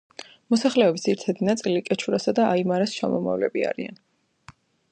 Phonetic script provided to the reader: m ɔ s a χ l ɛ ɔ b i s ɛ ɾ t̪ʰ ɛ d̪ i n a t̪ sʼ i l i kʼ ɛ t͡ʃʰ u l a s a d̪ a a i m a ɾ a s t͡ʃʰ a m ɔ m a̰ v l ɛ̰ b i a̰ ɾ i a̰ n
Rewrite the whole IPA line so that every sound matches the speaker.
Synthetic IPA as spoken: m ɔ s a χ l ɛ ɔ b i s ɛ ɾ t̪ʰ ɛ d̪ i n a t̪ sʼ i l i kʼ ɛ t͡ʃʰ u ɾ a s a d̪ a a i m a ɾ a s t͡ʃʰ a m ɔ m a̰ v l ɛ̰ b i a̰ ɾ i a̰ n